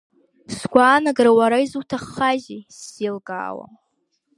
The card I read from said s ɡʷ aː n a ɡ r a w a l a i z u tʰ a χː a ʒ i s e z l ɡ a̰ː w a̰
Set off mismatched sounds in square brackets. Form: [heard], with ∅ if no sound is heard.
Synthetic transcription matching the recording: s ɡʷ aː n a ɡ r a w a [ɾ] a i z u tʰ a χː a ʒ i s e [∅] l ɡ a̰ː w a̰